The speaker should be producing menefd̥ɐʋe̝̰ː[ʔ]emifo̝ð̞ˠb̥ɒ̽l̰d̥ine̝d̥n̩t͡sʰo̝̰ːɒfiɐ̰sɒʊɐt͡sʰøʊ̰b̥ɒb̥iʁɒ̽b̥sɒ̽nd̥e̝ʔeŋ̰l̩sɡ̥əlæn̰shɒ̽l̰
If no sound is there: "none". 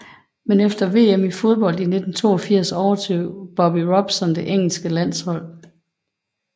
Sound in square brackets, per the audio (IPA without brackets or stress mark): none